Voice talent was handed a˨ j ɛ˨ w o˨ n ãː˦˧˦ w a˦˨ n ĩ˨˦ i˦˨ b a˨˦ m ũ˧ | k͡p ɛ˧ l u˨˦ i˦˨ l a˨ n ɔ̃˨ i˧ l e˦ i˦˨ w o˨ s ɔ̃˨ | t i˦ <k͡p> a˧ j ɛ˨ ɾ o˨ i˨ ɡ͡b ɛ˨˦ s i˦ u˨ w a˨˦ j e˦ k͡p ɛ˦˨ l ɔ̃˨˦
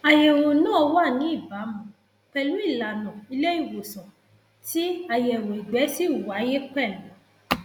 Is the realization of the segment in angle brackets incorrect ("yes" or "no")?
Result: yes